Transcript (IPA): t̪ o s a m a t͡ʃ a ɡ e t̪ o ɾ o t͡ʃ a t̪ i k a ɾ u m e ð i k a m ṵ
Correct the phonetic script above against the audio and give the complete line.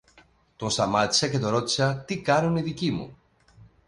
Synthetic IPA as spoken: t̪ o s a m a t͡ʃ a k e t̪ o ɾ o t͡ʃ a t̪ i k a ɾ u n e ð i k i m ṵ